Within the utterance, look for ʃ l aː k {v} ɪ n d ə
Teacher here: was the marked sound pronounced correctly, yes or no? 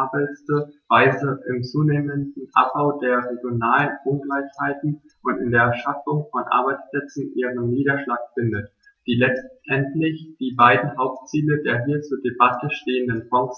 no